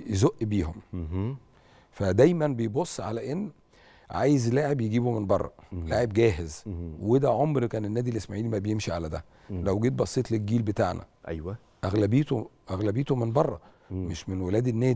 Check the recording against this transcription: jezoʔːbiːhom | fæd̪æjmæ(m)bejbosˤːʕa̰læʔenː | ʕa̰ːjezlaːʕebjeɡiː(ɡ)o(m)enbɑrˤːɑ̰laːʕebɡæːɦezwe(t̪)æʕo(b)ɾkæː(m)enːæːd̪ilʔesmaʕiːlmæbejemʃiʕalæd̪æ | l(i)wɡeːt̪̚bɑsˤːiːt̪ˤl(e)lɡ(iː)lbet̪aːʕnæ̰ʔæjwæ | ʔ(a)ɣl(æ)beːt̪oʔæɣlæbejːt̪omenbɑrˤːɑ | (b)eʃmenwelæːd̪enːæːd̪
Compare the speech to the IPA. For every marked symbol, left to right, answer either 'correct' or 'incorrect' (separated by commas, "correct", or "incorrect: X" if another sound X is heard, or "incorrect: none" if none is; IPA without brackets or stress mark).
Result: incorrect: n, incorrect: b, correct, incorrect: d̪, incorrect: m, incorrect: n, incorrect: æ, correct, correct, incorrect: æ, correct, incorrect: m